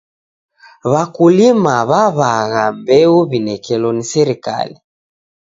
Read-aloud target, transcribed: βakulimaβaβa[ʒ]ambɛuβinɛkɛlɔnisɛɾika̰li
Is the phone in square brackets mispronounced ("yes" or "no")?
yes